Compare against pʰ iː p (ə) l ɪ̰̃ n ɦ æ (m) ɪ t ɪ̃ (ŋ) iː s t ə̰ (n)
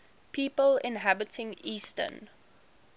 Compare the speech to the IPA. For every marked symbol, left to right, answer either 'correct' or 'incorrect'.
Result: correct, incorrect: b, correct, correct

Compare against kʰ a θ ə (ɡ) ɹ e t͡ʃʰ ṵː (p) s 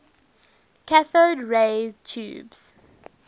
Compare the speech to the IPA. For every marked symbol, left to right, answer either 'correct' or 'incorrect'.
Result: incorrect: d, incorrect: b

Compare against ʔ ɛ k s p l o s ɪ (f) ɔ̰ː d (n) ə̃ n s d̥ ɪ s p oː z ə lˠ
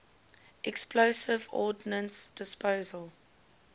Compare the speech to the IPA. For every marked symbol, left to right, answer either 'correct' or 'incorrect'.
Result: incorrect: v, correct

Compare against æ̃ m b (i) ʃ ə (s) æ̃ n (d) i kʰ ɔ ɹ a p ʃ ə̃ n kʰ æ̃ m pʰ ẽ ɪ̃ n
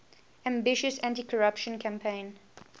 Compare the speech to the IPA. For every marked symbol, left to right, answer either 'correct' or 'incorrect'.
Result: incorrect: ɪ, correct, incorrect: t

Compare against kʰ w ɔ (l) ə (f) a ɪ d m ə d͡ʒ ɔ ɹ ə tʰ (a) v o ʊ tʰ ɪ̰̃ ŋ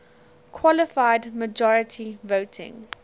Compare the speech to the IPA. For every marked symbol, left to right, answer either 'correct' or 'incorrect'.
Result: correct, correct, incorrect: i

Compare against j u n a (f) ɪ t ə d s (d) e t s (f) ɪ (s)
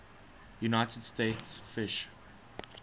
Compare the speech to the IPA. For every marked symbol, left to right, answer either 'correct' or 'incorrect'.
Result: incorrect: none, incorrect: t, correct, incorrect: ʃ

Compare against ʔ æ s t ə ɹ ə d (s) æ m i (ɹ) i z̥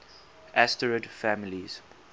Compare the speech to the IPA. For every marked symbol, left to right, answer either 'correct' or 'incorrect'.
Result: incorrect: f, incorrect: l

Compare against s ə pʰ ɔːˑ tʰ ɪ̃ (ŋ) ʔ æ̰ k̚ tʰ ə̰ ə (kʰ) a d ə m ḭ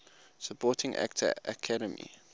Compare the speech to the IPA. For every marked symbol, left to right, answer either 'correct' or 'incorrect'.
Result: correct, correct

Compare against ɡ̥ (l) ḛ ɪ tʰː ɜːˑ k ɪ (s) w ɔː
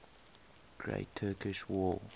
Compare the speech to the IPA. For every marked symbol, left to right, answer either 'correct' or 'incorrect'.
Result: incorrect: ɹ, incorrect: ʃ

